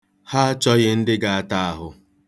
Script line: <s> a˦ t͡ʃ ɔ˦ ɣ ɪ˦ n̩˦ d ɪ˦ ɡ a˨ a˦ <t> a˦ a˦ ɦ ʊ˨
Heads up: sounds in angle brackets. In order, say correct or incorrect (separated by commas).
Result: incorrect, correct